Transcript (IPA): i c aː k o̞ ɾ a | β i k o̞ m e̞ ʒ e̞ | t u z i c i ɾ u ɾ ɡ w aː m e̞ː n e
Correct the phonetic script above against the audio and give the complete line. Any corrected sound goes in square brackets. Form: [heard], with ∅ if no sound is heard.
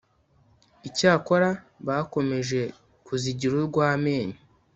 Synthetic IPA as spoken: i c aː k o̞ ɾ a | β [a] k o̞ m e̞ ʒ e̞ | [k] u z i [ɟ] i ɾ u ɾ ɡ w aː m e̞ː [ɲ] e